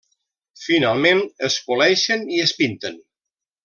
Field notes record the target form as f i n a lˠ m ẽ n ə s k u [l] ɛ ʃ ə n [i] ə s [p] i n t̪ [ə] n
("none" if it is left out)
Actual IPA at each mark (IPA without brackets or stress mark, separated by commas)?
l, i, p, ə